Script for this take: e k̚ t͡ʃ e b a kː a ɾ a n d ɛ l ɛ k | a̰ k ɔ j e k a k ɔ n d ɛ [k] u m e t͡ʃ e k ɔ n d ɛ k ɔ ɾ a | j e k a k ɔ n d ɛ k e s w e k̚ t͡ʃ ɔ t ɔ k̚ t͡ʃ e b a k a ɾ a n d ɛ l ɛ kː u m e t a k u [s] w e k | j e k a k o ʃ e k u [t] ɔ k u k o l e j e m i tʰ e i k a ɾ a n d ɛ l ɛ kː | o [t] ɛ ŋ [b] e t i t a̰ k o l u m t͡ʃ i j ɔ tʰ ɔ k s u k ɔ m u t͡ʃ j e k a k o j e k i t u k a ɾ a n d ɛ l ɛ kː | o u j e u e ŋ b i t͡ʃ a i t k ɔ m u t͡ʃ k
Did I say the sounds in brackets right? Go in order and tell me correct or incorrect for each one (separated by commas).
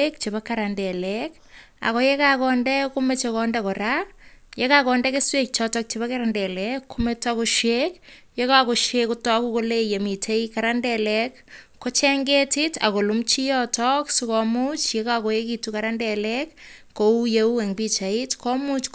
correct, incorrect, correct, incorrect, incorrect